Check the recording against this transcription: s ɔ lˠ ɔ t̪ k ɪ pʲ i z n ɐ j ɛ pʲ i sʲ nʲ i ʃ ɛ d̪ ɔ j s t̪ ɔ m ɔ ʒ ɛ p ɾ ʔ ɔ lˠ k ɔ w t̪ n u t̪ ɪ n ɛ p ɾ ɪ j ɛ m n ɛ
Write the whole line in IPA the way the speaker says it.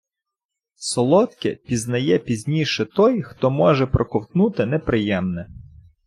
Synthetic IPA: s ɔ lˠ ɔ t̪ k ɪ pʲ i z n ɐ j ɛ pʲ i zʲ nʲ i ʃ ɛ t̪ ɔ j x t̪ ɔ m ɔ ʒ ɛ p ɾ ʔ ɔ k ɔ w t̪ n u t̪ ɪ n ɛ p ɾ ɪ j ɛ m n ɛ